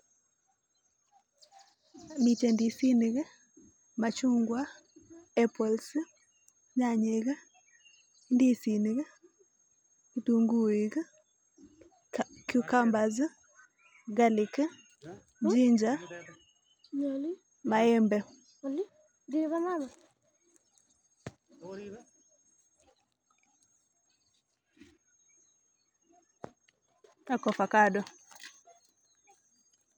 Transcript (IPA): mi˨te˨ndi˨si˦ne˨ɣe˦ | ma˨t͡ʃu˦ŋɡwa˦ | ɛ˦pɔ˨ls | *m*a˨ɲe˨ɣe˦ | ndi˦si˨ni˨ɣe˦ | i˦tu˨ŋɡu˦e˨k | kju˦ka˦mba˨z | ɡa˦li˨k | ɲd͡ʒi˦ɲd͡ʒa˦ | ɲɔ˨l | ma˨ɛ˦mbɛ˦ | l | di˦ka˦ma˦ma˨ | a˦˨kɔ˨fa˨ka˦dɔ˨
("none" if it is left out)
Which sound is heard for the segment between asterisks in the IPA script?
ɲ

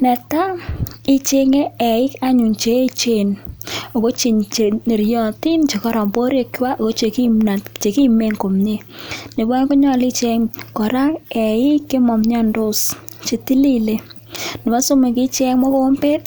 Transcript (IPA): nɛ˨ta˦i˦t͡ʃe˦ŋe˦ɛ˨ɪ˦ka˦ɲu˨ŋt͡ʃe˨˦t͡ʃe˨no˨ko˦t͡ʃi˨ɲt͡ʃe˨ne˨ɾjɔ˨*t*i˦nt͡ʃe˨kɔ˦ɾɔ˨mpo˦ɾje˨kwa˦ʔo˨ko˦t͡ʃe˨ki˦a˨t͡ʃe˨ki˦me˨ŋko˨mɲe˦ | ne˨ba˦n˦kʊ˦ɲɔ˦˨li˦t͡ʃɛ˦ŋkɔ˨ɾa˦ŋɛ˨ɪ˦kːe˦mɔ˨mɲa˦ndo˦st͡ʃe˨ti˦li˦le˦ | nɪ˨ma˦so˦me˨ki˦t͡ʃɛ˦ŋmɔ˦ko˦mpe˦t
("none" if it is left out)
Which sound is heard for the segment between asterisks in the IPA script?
t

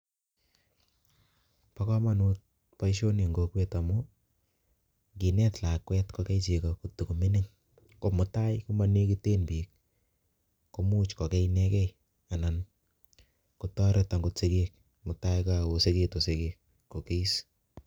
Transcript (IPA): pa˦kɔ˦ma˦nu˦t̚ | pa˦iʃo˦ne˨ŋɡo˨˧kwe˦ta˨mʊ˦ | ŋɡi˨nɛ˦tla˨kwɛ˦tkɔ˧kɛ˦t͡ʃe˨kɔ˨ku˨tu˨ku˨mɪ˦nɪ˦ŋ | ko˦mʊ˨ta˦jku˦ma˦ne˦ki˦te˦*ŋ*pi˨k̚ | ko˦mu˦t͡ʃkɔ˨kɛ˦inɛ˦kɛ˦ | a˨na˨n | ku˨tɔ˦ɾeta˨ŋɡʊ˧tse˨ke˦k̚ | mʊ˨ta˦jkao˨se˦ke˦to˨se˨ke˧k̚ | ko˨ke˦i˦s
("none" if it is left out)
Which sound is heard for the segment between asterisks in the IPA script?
n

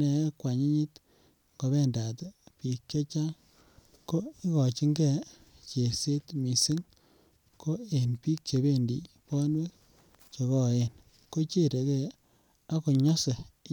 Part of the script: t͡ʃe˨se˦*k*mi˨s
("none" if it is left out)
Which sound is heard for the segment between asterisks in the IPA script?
t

